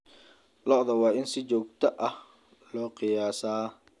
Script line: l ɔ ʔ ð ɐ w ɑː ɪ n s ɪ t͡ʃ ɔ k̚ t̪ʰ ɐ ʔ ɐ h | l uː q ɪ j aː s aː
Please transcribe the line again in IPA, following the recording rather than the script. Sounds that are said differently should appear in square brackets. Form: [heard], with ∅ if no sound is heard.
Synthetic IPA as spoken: l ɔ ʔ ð ɐ w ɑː ɪ n s ɪ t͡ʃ [ɔː] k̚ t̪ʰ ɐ ʔ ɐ h | l [ɔː] q ɪ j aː s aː